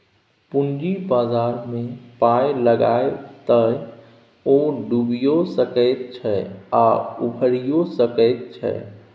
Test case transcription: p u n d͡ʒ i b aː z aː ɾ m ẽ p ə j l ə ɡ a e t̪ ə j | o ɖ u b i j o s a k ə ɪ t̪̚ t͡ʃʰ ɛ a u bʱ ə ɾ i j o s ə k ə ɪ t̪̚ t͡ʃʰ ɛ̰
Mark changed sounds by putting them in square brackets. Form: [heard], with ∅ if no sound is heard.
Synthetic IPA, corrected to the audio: p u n d͡ʒ i b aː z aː ɾ m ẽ p [a] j l ə ɡ a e t̪ ə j | o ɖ u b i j o s [ə] k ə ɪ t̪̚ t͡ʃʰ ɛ a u bʱ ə ɾ i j o s ə k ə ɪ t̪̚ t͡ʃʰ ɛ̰